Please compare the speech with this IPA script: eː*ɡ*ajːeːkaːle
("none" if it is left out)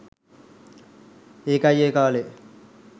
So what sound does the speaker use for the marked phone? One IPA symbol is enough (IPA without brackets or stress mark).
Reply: k